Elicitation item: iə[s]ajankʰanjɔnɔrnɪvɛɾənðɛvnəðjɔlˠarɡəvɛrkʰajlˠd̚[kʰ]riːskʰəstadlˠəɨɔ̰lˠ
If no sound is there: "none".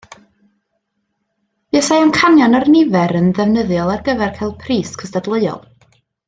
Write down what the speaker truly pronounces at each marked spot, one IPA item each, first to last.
s, pʰ

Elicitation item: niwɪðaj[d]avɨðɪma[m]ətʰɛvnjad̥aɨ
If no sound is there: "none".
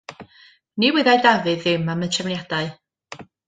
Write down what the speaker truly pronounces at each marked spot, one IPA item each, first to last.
d, m

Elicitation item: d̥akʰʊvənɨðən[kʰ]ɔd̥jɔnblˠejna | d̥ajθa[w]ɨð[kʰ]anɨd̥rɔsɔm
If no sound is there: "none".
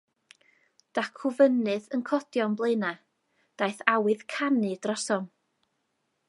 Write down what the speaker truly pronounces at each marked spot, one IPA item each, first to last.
kʰ, w, kʰ

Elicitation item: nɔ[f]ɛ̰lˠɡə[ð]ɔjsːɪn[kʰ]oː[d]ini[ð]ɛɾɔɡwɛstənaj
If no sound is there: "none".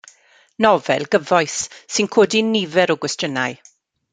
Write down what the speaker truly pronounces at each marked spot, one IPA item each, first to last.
v, v, kʰ, d, v

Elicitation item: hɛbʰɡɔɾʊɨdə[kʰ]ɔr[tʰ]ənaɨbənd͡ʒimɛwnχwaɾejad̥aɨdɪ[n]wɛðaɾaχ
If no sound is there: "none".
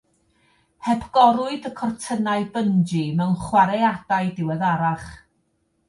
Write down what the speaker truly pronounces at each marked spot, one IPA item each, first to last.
kʰ, tʰ, none

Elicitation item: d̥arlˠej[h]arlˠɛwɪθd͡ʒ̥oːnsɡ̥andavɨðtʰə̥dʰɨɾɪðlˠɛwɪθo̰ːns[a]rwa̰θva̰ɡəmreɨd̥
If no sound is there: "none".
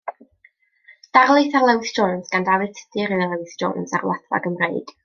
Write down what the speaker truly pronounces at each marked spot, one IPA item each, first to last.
θ, a

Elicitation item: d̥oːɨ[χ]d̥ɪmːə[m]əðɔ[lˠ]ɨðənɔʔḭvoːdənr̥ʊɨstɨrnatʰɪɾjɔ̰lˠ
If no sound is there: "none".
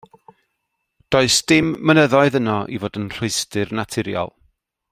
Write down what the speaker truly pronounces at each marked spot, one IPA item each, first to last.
s, n, none

